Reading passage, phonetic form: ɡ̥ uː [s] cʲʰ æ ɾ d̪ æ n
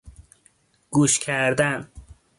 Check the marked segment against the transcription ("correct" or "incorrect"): incorrect